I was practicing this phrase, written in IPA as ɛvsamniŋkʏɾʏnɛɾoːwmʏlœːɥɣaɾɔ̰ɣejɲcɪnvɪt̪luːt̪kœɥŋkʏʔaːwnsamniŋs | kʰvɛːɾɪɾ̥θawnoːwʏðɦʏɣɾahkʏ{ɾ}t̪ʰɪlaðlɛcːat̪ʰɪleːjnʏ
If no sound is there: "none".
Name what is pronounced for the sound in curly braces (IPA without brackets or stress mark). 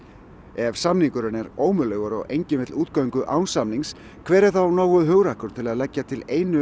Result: ɾ